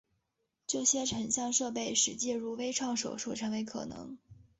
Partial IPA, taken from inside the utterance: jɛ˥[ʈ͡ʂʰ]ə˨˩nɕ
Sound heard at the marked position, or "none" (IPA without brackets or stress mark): ʈ͡ʂʰ